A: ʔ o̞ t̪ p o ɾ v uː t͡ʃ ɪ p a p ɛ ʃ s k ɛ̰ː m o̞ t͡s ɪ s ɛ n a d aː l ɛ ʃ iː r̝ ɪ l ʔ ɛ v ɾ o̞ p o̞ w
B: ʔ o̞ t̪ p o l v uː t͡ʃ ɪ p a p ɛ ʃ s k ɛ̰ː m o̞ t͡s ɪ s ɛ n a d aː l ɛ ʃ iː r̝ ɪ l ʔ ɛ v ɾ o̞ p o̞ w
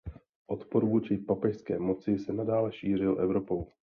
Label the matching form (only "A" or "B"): A